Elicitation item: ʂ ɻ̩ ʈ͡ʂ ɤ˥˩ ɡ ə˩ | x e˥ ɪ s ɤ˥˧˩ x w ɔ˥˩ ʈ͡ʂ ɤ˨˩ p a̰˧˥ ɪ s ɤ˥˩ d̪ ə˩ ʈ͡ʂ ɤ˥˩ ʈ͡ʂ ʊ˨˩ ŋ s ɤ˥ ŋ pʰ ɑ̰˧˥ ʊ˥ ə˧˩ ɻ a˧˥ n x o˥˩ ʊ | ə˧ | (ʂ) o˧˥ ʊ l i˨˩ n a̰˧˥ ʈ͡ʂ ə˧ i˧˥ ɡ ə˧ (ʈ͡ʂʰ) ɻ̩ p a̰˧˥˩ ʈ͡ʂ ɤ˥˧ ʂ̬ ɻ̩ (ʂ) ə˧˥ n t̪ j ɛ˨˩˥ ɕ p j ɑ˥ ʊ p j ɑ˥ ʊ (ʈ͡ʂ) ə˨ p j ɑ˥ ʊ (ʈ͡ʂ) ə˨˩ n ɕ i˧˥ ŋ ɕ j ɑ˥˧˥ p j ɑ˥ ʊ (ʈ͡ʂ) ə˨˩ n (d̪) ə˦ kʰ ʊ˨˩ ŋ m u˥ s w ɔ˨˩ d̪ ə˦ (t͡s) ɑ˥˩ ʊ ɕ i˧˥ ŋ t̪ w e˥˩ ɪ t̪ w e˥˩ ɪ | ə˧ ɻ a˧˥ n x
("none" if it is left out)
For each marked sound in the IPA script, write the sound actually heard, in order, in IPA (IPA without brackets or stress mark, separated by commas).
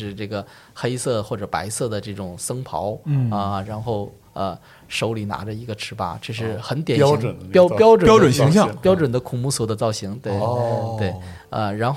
ʂ, ʈ͡ʂʰ, x, ʈ͡ʂ, ʈ͡ʂ, ʈ͡ʂ, d̪, t͡s